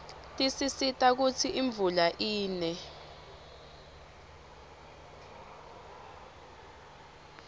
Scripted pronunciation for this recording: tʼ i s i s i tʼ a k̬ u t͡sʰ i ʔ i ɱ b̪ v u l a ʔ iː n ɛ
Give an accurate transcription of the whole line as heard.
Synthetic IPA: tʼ i s i s i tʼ a k̬ u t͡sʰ i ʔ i ɱ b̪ v u l a ʔ iː n ɛ